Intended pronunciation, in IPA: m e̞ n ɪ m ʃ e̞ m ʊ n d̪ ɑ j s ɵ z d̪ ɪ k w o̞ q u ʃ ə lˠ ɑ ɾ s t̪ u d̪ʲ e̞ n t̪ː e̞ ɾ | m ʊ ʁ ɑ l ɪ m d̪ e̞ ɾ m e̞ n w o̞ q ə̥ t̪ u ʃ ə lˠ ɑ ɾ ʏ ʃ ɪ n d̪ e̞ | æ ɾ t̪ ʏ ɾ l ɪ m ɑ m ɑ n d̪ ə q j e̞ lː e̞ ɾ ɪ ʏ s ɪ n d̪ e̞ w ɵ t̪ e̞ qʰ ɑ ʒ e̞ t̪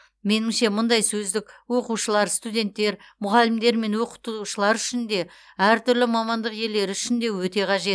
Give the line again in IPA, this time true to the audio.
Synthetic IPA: m e̞ n ɪ m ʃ e̞ m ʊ n d̪ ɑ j s ɵ z d̪ ɪ k w o̞ q u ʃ ə lˠ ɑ ɾ s t̪ u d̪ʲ e̞ n t̪ː e̞ ɾ | m ʊ ʁ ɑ l ɪ m d̪ e̞ ɾ m e̞ n w o̞ q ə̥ t̪ u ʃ ə lˠ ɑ ɾ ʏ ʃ ɪ n d̪ e̞ | æ ɾ t̪ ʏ ɾ l ɪ m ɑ m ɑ n d̪ ə q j e̞ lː e̞ ɾ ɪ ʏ ʃ ɪ n d̪ e̞ w ɵ t̪ e̞ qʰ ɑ ʒ e̞ t̪

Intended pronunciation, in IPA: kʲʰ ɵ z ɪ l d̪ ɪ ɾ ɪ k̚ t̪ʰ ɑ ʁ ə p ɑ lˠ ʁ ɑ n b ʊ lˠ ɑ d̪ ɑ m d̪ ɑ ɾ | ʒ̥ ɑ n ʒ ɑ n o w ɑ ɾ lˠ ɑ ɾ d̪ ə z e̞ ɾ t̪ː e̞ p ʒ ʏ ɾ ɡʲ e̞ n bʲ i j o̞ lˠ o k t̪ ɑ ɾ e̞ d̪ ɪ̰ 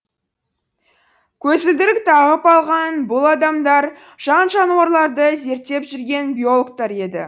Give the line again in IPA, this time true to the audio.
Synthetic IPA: kʲʰ ɵ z ɪ l d̪ ɪ ɾ ɪ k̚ t̪ʰ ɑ ʁ ə p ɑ lˠ ʁ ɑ n b ʊ lˠ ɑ d̪ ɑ m d̪ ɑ ɾ | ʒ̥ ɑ n ʒ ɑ n u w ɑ ɾ lˠ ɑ ɾ d̪ ə z e̞ ɾ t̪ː e̞ p ʒ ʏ ɾ ɡʲ e̞ n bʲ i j o̞ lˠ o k t̪ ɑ ɾ e̞ d̪ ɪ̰

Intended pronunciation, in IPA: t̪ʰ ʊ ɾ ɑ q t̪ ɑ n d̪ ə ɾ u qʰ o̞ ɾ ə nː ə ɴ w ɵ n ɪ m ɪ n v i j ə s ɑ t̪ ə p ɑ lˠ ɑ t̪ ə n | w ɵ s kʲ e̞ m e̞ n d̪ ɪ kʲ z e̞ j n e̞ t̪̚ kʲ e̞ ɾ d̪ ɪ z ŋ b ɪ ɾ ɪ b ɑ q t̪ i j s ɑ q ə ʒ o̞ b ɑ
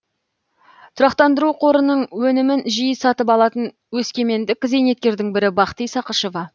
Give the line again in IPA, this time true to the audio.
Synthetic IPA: t̪ʰ ʊ ɾ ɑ q t̪ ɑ n d̪ ə ɾ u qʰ o̞ ɾ ə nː ə ɴ w ɵ n ɪ m ɪ n ʒ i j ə s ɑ t̪ ə p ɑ lˠ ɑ t̪ ə n | w ɵ s kʲ e̞ m e̞ n d̪ ɪ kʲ z e̞ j n e̞ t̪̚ kʲ e̞ ɾ d̪ ɪ ŋ b ɪ ɾ ɪ b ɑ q t̪ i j s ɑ q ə ʃ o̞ v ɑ

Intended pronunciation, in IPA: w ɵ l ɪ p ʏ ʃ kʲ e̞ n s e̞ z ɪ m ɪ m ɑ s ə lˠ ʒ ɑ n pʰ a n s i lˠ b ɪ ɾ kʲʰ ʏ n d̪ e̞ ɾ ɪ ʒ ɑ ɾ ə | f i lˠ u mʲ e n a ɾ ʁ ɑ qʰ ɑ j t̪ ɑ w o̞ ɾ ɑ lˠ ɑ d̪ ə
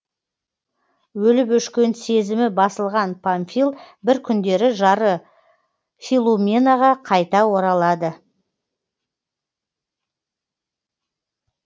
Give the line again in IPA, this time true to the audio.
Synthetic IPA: w ɵ l ɪ p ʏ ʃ kʲ e̞ n s e̞ z ɪ m ɪ b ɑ s ə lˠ ʁ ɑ n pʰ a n f i lˠ b ɪ ɾ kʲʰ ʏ n d̪ e̞ ɾ ɪ ʒ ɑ ɾ ə | f i lˠ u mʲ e n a ʁ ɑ qʰ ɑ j t̪ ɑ w o̞ ɾ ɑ lˠ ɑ d̪ ə

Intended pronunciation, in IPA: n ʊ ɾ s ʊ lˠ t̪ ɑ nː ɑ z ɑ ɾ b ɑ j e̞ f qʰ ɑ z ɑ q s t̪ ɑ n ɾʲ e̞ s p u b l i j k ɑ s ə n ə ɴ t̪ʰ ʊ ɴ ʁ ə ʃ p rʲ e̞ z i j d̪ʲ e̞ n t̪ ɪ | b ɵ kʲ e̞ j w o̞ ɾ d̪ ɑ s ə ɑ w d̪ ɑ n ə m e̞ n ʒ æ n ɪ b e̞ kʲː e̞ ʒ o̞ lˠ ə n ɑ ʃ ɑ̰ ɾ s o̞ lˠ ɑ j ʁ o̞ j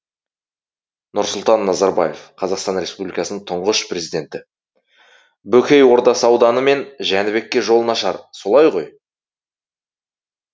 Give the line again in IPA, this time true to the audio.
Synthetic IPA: n ʊ ɾ s ʊ lˠ t̪ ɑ nː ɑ z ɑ ɾ b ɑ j e̞ f qʰ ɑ z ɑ q s t̪ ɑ n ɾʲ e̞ s p u b l i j k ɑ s ə n ə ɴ t̪ʰ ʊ ɴ ʁ ə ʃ p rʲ e̞ z i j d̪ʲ e̞ n t̪ ɪ | b ɵ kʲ e̞ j w o̞ ɾ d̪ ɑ s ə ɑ w d̪ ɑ n ə m e̞ n ʒ æ n ɪ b e̞ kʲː e̞ ʒ o̞ lˠ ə n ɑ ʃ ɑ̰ ɾ s o̞ lˠ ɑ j ʁ o̞ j

